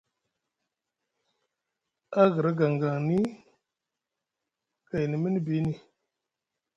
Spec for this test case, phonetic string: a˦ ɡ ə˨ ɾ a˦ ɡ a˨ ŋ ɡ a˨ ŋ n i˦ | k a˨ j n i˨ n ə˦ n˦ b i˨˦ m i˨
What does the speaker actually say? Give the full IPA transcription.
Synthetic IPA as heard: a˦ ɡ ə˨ ɾ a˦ ɡ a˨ ŋ ɡ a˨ ŋ n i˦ | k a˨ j n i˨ m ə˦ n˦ b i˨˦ n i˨